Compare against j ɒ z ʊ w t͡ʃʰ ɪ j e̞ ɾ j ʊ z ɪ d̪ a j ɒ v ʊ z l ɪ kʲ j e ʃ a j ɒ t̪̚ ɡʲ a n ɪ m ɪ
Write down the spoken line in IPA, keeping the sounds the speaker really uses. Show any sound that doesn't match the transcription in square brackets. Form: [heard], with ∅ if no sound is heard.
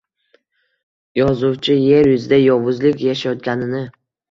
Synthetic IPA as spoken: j ɒ z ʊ w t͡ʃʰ ɪ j e̞ ɾ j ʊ z ɪ d̪ a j ɒ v ʊ z l ɪ kʲ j [a] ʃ a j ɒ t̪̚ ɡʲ a n ɪ [n] ɪ